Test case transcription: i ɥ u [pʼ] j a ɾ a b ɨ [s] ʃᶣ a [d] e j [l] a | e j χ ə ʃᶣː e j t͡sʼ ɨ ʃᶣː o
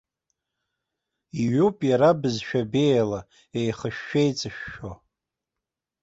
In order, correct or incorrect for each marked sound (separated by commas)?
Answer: correct, incorrect, incorrect, correct